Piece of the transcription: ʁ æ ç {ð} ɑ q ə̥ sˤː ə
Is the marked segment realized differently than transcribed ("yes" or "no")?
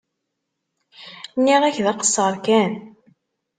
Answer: no